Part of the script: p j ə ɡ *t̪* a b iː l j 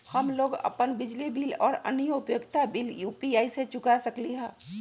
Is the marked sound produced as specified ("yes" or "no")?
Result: yes